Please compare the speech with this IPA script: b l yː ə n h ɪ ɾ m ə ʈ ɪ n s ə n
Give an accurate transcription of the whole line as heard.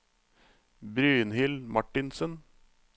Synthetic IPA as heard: b ɾ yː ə n h ɪ l m ɑ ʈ ɪ n s ə n